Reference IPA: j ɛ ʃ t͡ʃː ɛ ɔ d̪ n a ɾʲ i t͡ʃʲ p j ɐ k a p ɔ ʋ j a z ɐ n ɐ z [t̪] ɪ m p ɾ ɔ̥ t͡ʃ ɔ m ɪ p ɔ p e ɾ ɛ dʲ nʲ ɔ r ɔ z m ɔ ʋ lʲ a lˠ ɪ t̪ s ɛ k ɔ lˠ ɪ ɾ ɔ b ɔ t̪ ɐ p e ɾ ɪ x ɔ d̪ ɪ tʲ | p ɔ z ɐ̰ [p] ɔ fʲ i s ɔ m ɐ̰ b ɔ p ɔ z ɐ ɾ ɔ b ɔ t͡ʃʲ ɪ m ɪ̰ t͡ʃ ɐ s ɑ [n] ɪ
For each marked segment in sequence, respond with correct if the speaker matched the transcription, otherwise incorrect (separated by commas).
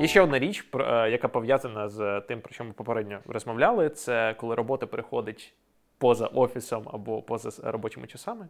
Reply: correct, incorrect, incorrect